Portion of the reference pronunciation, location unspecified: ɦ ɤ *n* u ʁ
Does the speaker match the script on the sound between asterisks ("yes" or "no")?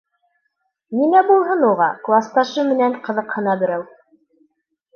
yes